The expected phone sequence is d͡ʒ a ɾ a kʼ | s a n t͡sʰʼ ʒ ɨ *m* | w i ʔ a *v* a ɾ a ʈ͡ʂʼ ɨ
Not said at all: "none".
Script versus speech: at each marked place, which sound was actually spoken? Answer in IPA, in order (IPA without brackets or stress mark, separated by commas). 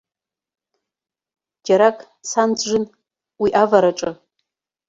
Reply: n, v